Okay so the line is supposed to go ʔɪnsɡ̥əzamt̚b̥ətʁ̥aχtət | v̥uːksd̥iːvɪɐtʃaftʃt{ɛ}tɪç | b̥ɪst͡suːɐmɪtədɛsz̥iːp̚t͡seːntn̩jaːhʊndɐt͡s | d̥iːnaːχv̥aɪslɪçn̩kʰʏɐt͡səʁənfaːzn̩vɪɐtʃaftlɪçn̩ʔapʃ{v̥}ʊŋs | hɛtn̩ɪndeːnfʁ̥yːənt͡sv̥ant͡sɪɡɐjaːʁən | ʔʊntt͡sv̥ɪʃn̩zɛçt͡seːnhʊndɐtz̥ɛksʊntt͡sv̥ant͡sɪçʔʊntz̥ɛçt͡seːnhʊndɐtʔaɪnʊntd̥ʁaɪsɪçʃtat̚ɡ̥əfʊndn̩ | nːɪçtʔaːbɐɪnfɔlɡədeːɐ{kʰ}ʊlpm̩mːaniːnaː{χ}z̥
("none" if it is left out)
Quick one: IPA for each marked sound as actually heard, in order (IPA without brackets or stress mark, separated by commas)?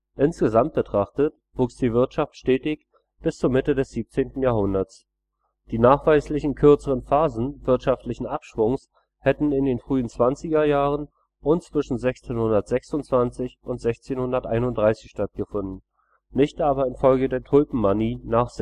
ɛː, v̥, tʰ, χ